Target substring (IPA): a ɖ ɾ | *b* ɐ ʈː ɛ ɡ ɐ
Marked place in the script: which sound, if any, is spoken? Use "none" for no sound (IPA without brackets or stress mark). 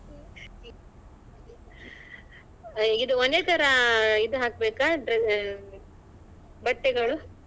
b